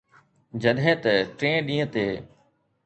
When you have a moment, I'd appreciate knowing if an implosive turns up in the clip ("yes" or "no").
yes